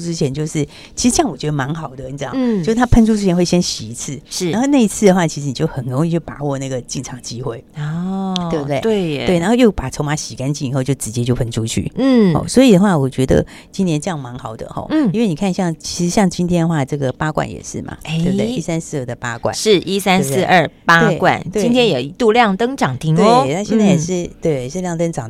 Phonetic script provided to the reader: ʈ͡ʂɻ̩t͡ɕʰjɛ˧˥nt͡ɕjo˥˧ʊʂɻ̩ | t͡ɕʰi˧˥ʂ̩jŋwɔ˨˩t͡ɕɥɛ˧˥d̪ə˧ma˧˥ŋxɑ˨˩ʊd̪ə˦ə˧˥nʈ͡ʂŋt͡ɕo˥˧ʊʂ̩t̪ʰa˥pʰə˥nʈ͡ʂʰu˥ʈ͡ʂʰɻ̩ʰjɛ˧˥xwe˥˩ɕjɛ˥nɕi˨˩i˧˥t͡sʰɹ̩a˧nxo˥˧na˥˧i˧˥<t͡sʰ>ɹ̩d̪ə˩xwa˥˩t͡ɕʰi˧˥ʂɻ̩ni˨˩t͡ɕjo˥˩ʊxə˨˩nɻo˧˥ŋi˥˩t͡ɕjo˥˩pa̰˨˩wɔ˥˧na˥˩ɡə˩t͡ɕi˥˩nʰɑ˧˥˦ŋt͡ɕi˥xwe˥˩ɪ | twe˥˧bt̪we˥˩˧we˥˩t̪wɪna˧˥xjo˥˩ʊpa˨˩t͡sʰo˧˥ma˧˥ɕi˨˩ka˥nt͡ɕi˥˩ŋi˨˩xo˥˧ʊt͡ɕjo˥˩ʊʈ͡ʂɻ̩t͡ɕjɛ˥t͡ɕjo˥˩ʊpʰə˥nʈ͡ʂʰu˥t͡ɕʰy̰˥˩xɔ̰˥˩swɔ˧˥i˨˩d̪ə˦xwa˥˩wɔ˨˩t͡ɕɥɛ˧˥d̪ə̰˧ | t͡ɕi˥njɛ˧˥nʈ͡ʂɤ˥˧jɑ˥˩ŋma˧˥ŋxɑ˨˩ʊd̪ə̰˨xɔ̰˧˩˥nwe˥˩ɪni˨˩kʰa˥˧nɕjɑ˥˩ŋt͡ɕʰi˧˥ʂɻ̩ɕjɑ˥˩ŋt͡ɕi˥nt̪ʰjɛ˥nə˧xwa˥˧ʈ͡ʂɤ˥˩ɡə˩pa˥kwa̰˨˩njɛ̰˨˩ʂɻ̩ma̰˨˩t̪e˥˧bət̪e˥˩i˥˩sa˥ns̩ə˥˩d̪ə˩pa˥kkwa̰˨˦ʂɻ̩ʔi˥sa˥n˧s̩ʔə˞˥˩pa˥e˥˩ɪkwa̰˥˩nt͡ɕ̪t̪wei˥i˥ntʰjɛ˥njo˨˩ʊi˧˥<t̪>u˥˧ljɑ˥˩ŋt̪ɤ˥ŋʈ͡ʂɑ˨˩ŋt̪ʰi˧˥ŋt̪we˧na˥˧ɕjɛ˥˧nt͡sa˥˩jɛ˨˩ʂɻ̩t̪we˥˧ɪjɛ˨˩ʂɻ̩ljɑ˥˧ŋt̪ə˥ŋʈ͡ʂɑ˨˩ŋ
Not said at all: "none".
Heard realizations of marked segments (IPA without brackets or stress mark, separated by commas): t͡sʰ, t̪